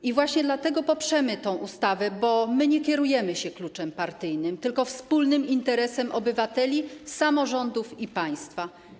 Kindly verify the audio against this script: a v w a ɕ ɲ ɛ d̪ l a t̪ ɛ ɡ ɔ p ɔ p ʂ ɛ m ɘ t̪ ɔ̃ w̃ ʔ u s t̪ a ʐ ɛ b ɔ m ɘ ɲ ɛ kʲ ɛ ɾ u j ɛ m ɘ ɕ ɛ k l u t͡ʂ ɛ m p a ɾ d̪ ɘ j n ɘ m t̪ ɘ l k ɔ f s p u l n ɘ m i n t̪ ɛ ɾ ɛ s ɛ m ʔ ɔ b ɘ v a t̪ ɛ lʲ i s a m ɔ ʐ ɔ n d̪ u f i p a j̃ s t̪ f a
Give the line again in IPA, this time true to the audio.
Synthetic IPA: i v w a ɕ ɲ ɛ d̪ l a t̪ ɛ ɡ ɔ p ɔ p ʂ ɛ m ɘ t̪ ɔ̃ w̃ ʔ u s t̪ a v ɛ b ɔ m ɘ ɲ ɛ kʲ ɛ ɾ u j ɛ m ɘ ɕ ɛ k l u t͡ʂ ɛ m p a ɾ t̪ ɘ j n ɘ m t̪ ɘ l k ɔ f s p u l n ɘ m i n t̪ ɛ ɾ ɛ s ɛ m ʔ ɔ b ɘ v a t̪ ɛ lʲ i s a m ɔ ʐ ɔ n d̪ u f i p a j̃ s t̪ f a